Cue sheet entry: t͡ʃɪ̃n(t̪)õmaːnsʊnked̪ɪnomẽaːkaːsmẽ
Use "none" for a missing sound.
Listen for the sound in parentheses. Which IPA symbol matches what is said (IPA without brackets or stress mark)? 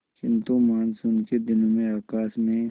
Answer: t̪